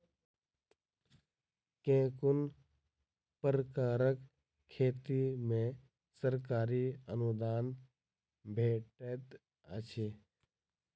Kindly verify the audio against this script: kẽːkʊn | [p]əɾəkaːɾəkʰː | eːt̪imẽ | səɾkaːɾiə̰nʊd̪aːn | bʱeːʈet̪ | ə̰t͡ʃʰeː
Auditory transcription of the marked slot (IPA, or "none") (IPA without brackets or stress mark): p